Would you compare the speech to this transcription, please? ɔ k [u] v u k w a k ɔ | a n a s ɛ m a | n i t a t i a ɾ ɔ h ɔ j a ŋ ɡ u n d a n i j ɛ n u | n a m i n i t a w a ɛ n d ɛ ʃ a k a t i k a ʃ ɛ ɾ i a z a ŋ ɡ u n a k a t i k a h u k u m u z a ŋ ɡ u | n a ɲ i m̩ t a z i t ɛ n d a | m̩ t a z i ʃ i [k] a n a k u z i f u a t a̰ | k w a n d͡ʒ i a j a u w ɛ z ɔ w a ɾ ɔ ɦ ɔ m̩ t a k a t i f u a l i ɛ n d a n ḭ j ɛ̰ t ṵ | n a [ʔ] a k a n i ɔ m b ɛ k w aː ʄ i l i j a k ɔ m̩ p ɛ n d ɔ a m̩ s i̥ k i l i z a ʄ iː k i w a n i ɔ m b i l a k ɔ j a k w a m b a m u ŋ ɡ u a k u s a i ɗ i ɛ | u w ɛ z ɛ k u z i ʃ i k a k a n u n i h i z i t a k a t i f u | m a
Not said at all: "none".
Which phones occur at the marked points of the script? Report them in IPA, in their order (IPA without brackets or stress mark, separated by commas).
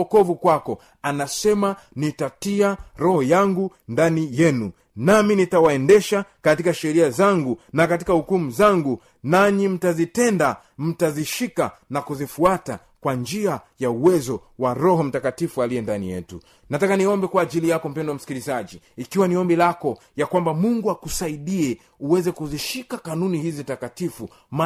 ɔ, k, t